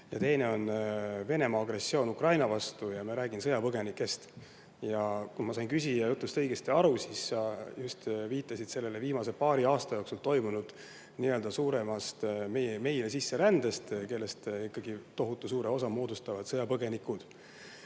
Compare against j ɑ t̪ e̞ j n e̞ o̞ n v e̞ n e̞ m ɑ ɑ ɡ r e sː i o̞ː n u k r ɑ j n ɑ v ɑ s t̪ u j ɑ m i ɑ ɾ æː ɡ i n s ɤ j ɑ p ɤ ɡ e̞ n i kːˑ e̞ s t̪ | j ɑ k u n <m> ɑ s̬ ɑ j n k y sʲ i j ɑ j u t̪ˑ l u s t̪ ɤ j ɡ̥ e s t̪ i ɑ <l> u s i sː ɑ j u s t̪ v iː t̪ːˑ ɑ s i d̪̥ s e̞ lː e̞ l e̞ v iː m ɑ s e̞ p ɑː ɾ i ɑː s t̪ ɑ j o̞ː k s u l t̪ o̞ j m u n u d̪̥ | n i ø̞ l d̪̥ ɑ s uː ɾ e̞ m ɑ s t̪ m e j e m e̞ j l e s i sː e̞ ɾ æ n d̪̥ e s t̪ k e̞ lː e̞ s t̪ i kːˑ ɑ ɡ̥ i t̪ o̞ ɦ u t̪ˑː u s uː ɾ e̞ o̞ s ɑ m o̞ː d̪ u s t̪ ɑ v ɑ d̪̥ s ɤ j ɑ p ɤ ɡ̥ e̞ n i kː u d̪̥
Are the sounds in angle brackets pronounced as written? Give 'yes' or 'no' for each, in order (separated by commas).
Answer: yes, no